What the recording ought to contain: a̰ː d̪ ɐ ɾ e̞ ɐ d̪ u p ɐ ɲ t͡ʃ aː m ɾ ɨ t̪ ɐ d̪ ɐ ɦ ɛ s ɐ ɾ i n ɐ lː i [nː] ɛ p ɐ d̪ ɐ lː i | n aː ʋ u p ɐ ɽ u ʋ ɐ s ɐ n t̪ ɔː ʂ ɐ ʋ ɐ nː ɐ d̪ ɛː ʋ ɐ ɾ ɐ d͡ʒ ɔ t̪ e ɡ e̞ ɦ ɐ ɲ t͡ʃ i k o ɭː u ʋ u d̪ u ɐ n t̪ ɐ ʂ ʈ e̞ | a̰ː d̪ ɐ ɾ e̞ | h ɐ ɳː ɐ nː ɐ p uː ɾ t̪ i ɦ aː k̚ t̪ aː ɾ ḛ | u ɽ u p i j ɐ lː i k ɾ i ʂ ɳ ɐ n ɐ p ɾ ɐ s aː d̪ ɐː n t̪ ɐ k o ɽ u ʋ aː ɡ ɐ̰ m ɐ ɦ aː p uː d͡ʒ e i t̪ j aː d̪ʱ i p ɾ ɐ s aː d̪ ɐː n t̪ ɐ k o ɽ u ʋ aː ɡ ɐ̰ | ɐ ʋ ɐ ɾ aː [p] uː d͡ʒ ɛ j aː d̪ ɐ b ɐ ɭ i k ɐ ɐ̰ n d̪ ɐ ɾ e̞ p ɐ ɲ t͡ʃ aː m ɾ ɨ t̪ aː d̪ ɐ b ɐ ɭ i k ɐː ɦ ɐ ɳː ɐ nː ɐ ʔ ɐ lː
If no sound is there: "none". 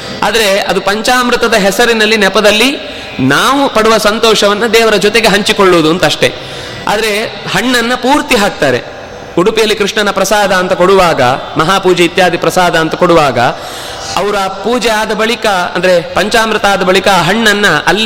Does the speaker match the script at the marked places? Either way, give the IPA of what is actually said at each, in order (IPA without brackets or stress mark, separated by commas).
n, p